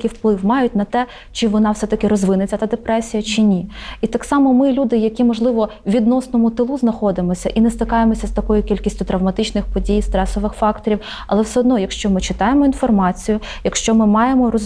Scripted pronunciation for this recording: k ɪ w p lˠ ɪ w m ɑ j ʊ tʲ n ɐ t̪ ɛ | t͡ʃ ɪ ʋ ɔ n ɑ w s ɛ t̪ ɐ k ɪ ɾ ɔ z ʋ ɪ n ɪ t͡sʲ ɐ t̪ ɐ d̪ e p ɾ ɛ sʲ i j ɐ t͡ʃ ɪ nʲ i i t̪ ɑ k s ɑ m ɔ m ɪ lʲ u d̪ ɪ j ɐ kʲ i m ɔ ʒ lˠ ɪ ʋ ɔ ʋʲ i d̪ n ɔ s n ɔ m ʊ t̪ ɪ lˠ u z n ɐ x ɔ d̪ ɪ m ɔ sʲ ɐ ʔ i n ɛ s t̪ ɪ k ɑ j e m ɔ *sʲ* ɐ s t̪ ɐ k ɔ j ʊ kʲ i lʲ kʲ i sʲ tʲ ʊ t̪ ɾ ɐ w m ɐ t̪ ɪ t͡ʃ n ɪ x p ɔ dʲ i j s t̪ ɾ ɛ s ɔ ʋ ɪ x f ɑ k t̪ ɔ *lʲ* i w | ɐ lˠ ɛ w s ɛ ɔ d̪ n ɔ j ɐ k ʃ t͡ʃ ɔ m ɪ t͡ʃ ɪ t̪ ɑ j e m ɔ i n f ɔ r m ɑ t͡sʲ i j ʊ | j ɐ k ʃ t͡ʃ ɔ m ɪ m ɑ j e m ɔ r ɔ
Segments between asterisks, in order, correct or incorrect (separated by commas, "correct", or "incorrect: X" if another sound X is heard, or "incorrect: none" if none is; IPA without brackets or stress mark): correct, incorrect: ɾʲ